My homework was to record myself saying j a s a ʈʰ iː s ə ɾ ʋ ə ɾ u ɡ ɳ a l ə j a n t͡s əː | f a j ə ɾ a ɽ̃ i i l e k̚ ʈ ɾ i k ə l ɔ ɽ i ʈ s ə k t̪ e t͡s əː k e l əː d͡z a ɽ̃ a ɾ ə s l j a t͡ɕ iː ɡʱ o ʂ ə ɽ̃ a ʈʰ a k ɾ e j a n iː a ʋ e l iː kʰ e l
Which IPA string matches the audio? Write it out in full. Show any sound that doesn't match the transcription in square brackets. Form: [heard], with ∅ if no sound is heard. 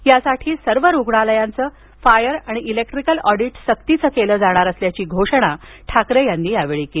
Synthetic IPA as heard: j a s a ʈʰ iː s ə ɾ ʋ ə ɾ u ɡ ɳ a l ə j a n t͡s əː | f a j ə ɾ a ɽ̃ i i l e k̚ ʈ ɾ i k ə l ɔ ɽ i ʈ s ə k t̪ [i] t͡s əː k e l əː d͡z a ɽ̃ a ɾ ə s l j a t͡ɕ iː ɡʱ o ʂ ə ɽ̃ a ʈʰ a k ɾ e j a [nː] iː a ʋ e [ɭ] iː [k] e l